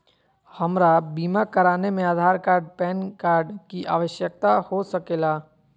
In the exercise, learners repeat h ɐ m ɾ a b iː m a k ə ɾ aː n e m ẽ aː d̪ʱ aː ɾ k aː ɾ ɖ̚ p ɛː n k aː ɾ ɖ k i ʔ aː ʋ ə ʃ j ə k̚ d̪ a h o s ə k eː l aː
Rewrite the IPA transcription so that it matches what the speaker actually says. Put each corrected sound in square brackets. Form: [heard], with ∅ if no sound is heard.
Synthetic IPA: h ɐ m ɾ a b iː m a k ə ɾ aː n e m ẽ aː d̪ʱ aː ɾ k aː ɾ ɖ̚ p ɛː n k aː ɾ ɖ k i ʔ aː ʋ ə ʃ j ə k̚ [t̪] a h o s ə k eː l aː